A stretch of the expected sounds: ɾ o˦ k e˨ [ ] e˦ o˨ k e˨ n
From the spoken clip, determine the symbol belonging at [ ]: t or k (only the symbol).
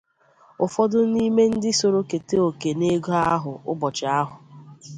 t